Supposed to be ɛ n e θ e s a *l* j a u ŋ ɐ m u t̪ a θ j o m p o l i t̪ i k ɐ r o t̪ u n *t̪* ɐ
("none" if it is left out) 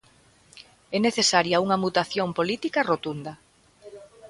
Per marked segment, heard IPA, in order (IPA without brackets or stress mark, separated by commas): ɾ, d̪